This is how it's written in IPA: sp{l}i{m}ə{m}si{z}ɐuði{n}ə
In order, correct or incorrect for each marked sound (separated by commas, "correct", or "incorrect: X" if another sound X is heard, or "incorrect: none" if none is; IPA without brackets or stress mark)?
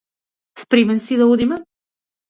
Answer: incorrect: ɾ, correct, incorrect: n, incorrect: ð, incorrect: m